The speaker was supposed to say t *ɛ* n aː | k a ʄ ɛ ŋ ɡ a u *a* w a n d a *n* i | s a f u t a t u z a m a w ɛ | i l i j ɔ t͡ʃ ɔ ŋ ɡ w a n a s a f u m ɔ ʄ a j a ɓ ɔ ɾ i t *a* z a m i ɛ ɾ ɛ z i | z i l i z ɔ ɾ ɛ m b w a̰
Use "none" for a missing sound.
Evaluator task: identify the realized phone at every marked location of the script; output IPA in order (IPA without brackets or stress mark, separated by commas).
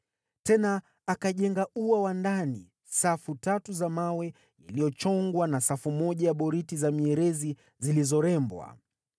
ɛ, a, n, i